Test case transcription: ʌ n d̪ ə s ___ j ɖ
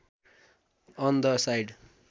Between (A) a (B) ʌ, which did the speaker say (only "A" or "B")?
A